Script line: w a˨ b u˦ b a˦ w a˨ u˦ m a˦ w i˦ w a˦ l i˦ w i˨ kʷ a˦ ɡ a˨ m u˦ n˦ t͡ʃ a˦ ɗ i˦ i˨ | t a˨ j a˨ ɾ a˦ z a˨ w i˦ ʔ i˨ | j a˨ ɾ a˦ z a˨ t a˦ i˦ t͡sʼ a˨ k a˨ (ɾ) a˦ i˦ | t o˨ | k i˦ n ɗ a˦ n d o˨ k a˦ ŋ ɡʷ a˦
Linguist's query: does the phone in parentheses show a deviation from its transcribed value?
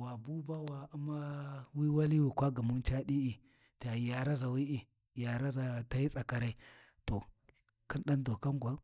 no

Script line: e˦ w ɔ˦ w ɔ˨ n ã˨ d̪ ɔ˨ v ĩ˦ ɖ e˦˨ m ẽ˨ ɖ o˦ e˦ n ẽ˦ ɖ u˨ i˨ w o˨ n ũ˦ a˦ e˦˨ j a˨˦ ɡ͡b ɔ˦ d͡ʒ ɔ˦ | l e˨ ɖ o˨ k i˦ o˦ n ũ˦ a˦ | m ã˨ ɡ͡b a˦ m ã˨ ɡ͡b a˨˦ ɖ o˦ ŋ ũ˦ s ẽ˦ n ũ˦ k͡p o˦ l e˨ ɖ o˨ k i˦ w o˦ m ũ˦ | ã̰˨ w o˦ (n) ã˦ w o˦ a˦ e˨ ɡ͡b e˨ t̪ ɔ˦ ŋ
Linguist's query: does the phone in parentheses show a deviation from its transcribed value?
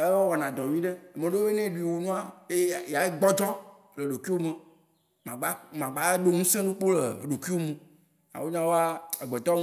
yes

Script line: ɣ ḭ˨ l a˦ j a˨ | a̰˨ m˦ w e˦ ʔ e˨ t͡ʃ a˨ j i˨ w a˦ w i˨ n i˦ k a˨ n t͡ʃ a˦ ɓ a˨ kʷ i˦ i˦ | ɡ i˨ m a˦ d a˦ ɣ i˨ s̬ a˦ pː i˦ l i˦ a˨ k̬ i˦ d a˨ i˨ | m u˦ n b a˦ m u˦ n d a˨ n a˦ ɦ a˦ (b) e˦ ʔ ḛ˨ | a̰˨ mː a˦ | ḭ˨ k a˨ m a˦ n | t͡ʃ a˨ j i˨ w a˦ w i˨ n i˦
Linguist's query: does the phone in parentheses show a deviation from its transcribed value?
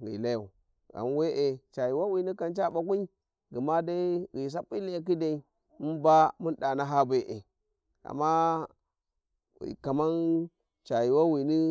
no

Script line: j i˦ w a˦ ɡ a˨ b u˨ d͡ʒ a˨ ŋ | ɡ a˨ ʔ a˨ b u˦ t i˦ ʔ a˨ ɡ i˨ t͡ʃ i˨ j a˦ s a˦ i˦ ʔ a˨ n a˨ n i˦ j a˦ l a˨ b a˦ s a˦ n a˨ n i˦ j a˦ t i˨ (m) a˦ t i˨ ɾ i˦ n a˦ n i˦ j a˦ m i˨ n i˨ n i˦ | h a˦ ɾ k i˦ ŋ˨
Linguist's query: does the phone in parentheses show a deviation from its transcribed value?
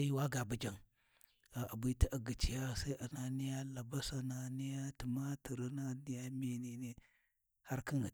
no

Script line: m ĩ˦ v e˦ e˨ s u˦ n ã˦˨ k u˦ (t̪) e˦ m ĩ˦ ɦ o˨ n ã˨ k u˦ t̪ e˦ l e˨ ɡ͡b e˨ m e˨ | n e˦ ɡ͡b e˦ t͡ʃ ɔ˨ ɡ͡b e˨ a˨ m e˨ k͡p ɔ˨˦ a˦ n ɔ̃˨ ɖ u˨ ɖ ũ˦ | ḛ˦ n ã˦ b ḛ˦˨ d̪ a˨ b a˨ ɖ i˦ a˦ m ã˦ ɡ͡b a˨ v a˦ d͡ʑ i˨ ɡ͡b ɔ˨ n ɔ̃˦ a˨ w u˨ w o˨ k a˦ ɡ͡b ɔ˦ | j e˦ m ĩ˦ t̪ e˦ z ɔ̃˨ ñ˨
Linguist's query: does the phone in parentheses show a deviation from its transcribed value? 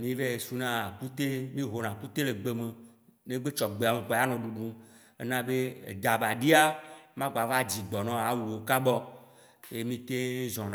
no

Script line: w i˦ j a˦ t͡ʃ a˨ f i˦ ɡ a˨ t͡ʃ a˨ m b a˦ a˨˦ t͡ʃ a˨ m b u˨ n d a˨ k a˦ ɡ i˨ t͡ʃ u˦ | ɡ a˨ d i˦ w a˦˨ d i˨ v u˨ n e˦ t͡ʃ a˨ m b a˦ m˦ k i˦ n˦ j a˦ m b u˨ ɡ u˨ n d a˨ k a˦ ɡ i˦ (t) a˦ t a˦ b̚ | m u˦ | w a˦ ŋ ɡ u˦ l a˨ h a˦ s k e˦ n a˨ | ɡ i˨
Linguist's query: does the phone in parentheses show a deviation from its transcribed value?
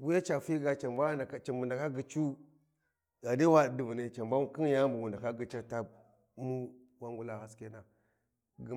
yes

